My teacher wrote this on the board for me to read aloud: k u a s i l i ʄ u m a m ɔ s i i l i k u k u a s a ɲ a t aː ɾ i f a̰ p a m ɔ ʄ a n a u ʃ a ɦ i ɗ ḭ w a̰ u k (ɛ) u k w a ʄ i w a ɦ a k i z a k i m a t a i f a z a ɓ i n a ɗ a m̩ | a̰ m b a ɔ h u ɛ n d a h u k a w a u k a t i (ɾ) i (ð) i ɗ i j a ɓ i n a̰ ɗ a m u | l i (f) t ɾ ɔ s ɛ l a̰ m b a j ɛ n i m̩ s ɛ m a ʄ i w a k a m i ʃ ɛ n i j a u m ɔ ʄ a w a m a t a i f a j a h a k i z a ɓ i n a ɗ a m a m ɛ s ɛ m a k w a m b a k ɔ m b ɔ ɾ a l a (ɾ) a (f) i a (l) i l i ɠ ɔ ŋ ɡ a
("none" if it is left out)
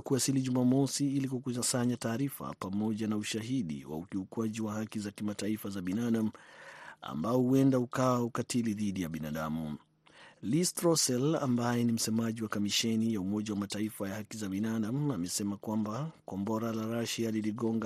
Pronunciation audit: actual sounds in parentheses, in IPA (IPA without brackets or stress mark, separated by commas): i, l, ð, s, ɾ, ʃ, l